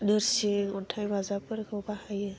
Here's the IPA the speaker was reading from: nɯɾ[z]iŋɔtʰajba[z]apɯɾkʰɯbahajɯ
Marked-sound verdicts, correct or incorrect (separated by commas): incorrect, correct